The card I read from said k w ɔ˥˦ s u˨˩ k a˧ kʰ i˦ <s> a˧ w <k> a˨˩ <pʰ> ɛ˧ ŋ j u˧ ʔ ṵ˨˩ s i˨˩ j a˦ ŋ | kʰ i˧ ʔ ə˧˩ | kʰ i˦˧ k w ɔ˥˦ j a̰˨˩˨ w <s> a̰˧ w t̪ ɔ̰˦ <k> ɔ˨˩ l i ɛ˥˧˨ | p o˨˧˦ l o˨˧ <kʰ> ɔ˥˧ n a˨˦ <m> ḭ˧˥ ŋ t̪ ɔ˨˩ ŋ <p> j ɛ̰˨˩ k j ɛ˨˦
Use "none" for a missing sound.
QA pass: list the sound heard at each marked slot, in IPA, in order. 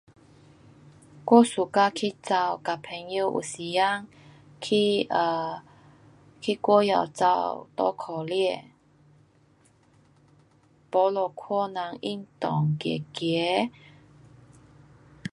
t͡s, k, pʰ, t͡s, kʰ, kʰ, ŋ, k

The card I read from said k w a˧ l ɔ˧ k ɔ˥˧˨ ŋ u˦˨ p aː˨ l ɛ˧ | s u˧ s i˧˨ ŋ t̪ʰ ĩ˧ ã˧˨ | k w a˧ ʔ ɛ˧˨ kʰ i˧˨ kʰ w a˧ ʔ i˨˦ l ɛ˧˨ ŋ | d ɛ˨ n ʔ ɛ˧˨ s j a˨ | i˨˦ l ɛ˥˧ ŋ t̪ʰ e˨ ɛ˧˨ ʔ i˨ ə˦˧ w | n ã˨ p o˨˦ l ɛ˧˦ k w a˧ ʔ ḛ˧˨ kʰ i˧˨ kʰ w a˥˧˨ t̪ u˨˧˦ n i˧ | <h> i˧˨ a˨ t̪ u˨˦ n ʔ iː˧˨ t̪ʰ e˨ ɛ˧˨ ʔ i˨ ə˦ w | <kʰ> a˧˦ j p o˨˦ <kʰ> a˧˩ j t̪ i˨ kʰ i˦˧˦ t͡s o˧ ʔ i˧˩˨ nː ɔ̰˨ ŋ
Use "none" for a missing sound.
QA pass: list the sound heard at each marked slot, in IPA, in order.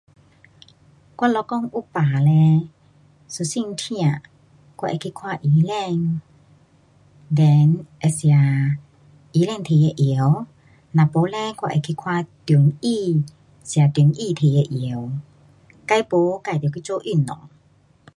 s, k, k

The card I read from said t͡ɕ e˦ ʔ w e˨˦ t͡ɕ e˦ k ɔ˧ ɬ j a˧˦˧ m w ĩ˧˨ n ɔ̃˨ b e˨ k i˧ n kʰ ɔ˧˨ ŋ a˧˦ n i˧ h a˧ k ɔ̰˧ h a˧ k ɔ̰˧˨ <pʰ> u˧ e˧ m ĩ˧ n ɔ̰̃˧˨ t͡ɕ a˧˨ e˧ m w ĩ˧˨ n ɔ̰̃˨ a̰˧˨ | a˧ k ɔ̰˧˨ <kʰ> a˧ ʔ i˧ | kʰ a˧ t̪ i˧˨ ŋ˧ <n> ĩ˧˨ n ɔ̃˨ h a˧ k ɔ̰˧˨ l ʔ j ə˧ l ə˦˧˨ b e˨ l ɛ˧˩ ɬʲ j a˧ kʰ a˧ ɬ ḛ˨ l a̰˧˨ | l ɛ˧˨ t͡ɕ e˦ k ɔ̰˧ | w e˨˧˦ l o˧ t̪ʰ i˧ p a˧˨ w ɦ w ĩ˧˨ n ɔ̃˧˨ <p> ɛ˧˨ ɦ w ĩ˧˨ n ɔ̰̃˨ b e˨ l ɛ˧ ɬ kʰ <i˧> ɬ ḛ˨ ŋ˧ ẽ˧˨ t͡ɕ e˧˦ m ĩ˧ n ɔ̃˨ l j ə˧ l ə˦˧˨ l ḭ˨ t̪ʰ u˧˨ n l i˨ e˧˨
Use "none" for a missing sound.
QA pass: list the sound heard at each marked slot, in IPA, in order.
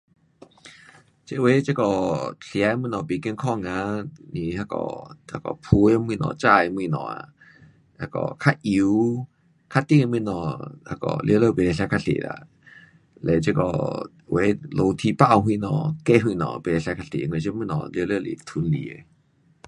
pʰ, kʰ, m, k, a˧

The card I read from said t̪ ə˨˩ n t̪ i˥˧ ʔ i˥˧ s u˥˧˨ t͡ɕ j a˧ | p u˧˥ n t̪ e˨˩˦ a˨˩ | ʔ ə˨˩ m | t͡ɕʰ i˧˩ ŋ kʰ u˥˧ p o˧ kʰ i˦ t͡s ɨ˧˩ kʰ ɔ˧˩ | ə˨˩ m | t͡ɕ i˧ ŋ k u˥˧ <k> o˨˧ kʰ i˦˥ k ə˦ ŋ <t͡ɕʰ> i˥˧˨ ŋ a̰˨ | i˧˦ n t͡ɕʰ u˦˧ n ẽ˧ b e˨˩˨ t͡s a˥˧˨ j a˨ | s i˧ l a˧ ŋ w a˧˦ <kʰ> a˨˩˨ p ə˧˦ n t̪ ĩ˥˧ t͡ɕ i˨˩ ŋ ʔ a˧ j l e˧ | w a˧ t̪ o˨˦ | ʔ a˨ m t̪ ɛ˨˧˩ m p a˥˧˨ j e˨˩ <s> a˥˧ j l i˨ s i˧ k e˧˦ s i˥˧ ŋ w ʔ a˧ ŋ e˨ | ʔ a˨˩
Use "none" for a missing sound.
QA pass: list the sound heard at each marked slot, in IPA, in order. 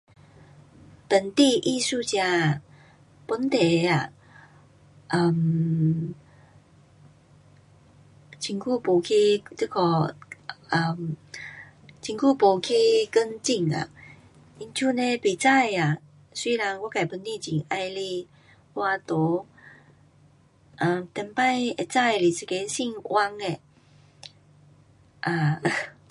p, t͡ɕ, k, t͡s

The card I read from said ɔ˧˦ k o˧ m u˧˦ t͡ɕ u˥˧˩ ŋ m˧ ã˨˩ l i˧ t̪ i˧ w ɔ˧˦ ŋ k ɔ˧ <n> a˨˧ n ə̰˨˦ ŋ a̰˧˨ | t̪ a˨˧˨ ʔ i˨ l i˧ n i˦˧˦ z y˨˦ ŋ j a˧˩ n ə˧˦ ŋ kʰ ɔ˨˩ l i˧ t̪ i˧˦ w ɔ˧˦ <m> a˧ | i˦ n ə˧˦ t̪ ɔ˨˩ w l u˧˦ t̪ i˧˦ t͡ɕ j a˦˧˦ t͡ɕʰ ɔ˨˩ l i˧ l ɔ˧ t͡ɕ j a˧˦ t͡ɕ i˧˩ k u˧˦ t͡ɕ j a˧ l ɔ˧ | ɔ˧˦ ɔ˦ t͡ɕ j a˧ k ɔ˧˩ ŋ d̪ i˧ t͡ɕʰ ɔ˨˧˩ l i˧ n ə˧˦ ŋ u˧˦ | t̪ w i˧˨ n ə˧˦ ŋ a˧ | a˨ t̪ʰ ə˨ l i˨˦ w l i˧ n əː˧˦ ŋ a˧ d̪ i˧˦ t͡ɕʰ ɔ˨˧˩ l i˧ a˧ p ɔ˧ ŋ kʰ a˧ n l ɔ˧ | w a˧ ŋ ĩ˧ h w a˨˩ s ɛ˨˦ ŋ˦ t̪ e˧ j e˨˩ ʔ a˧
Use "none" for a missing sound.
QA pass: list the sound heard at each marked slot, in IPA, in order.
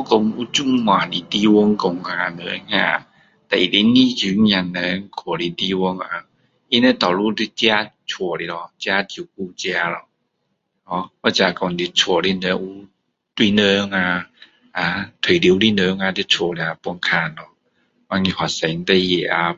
ŋ, ŋ

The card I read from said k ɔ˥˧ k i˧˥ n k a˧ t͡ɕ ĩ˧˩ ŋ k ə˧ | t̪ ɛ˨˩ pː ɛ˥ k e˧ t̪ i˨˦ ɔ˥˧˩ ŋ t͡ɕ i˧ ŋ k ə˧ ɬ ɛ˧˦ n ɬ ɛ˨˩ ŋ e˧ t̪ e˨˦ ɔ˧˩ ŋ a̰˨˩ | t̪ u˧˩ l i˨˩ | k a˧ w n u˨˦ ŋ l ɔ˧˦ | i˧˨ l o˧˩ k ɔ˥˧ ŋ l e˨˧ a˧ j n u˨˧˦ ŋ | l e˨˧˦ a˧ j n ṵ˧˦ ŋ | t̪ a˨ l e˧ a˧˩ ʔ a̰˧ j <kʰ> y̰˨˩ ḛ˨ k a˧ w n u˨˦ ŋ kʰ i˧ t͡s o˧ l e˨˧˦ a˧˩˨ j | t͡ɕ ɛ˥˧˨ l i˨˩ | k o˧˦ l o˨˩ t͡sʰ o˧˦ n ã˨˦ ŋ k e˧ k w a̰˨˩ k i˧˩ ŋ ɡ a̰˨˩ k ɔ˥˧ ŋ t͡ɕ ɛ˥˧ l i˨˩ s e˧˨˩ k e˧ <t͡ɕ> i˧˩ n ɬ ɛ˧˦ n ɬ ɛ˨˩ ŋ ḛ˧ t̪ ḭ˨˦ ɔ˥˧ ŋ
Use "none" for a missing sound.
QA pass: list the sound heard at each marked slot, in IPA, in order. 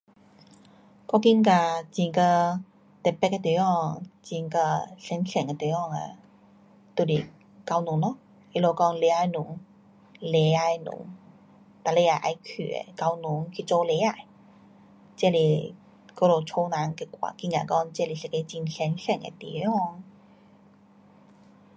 kʰ, t͡ɕ

